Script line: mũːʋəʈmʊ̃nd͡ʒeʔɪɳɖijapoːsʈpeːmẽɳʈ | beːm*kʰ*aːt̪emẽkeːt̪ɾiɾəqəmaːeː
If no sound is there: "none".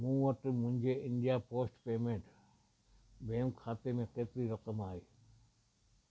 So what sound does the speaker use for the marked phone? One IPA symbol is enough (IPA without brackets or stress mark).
kʰ